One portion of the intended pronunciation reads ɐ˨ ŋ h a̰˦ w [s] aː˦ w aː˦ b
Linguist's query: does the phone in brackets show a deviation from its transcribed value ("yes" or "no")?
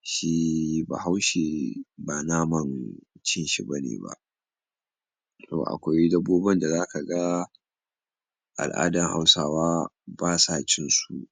no